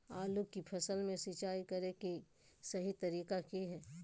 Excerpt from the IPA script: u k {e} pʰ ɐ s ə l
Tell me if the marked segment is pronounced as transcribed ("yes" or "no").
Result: no